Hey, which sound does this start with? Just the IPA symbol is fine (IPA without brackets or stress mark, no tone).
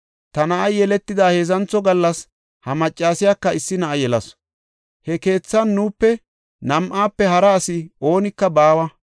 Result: t̪